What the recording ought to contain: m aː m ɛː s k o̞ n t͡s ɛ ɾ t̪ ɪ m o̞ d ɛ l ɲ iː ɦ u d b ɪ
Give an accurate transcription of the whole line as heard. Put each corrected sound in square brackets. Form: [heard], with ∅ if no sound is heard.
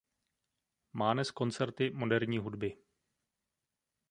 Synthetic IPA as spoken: m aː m [ɛ] s k o̞ n t͡s ɛ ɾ t̪ ɪ m o̞ d ɛ [ɾ] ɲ iː ɦ u d b ɪ